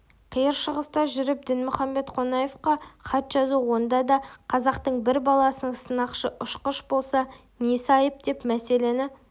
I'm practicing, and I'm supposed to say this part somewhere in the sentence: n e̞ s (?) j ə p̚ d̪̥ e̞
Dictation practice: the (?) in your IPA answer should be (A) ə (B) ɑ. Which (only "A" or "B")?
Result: B